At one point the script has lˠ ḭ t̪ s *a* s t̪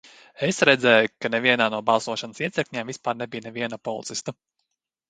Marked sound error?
yes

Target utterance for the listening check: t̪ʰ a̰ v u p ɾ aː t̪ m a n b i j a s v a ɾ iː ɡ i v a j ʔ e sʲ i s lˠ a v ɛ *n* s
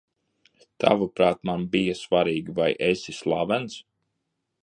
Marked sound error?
no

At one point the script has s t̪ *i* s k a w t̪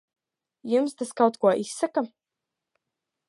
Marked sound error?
yes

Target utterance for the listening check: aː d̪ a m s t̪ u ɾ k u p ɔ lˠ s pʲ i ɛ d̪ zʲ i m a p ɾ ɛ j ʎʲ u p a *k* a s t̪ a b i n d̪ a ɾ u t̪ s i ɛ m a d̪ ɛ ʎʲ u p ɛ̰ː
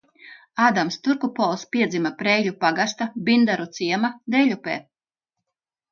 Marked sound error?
yes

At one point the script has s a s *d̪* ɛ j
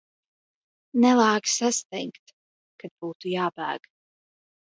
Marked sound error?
yes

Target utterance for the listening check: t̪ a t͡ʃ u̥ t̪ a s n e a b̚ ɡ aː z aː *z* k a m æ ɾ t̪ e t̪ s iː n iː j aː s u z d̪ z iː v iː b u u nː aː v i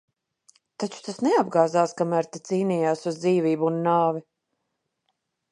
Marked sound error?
yes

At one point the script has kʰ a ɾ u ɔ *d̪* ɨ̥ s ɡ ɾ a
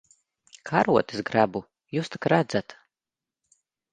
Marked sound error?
yes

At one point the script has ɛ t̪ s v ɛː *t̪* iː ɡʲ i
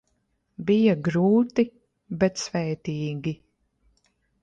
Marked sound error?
no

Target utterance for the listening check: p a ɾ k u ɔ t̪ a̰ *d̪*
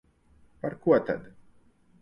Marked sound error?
no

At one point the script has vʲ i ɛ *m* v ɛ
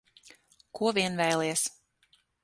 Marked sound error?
yes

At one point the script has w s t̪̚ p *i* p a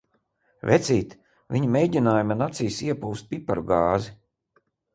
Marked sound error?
no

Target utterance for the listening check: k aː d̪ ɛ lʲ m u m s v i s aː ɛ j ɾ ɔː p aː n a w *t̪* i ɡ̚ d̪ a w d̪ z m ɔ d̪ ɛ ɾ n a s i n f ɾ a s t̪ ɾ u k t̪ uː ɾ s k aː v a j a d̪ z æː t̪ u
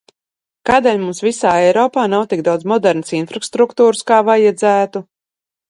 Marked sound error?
no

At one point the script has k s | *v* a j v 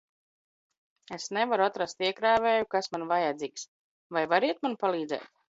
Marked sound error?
no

